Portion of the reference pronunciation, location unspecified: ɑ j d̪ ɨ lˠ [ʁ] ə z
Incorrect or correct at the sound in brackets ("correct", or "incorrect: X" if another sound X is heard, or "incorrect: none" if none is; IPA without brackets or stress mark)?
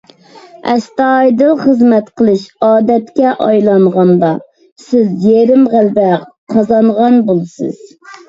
incorrect: χ